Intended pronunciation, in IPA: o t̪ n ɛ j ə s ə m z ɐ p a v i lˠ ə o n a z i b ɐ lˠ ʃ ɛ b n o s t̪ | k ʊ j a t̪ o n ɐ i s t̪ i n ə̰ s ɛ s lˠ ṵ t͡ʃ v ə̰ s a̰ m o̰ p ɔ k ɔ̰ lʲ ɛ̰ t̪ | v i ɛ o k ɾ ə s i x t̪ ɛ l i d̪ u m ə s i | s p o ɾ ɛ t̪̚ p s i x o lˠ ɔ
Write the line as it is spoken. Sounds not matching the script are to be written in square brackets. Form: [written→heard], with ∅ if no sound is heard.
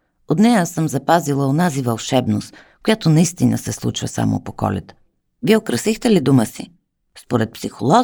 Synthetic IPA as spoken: o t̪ n ɛ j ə s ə m z ɐ p a [v→z] i lˠ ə o n a z i [b→v] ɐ lˠ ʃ ɛ b n o s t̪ | k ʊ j a t̪ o n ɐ i s t̪ i n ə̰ s ɛ s lˠ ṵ t͡ʃ v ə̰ s a̰ m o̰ p [ɔ→o] k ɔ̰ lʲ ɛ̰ t̪ | v i ɛ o k ɾ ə s i x t̪ ɛ l i d̪ u m ə s i | s p o ɾ ɛ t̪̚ p s i x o lˠ ɔ